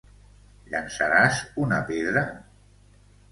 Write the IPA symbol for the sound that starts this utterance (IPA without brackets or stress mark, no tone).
ʎ